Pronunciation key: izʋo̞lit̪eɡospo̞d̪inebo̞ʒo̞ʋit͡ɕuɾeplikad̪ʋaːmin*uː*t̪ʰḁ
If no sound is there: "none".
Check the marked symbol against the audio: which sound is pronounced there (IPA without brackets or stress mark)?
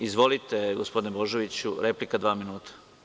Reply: uː